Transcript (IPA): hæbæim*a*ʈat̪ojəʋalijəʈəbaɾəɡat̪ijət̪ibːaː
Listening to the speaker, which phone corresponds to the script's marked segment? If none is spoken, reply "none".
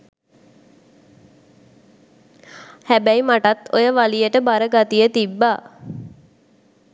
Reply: a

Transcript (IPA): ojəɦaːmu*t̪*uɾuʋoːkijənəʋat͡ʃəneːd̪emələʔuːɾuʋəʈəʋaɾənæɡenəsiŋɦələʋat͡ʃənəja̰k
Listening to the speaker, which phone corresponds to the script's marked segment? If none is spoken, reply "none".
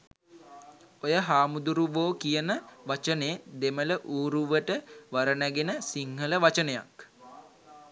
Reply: d̪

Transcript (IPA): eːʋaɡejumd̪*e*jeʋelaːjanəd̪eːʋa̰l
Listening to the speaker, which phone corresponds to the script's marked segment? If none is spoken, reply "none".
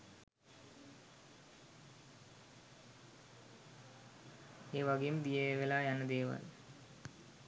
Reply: i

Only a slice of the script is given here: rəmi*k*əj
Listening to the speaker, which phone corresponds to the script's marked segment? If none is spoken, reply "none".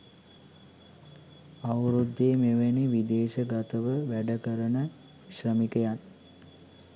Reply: k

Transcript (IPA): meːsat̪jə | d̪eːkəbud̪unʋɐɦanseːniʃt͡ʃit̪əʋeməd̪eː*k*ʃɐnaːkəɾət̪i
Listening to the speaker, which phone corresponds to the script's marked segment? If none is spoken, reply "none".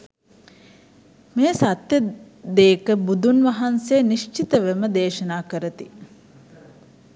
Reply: none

